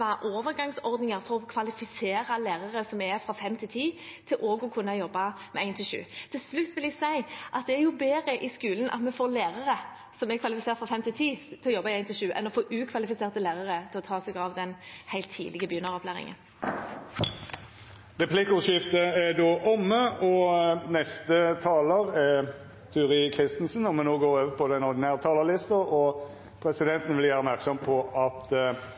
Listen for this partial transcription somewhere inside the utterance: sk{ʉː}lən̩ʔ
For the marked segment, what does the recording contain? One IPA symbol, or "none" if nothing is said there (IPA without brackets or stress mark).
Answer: ʉː